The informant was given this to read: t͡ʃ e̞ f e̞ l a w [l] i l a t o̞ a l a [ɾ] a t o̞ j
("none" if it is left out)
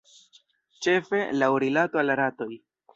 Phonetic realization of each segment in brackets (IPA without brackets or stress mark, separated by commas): ɾ, ɾ